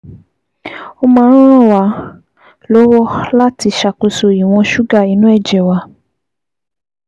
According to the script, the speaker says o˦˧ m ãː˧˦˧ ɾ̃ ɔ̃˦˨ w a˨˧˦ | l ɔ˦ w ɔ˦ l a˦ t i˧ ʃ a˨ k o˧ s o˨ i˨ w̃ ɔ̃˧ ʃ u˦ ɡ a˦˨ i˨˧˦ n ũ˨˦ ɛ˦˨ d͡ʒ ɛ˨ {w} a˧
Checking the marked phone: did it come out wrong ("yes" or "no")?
no